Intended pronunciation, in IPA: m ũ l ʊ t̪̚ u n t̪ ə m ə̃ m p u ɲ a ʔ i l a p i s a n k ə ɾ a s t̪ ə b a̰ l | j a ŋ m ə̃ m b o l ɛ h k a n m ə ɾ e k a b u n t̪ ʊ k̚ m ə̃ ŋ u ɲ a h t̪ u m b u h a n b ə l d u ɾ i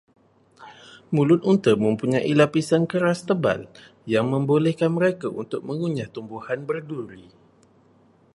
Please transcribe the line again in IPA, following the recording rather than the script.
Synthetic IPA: m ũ l ʊ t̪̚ u n t̪ ə m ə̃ m p u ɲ a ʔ i l a p i s a n k ə ɾ a s t̪ ə b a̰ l | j a ŋ m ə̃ m b o l ɛ h k a n m ə ɾ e k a u n t̪ ʊ k̚ m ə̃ ŋ u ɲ a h t̪ u m b u h a n b ə r d u ɾ i